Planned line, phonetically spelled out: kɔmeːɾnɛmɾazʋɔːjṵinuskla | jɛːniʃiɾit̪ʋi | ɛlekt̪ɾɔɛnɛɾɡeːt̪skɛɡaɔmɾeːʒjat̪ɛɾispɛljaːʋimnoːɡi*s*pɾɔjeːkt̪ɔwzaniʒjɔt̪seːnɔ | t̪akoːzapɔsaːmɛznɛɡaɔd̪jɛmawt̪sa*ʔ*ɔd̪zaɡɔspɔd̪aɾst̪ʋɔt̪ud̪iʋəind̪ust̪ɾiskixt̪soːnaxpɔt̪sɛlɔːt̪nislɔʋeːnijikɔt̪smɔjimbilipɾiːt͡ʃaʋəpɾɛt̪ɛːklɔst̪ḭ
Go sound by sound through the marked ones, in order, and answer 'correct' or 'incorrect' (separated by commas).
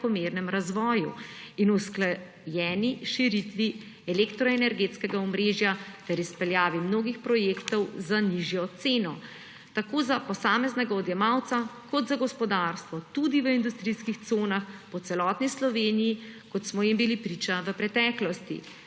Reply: incorrect, incorrect